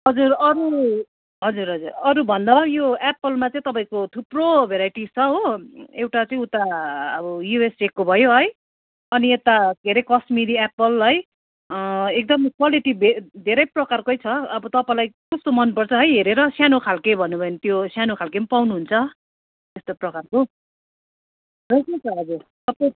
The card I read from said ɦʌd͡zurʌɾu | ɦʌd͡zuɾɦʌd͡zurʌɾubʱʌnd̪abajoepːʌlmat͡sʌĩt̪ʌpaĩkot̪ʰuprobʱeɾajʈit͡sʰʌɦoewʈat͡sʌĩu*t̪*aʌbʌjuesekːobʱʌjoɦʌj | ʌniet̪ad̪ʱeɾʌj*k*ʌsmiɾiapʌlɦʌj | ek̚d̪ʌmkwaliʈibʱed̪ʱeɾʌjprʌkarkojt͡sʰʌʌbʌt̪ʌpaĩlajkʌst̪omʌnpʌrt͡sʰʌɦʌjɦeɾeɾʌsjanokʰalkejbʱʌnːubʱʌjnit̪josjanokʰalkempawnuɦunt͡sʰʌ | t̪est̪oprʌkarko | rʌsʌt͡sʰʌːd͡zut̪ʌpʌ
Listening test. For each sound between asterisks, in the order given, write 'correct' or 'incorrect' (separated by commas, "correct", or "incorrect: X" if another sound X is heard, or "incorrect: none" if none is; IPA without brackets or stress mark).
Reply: correct, correct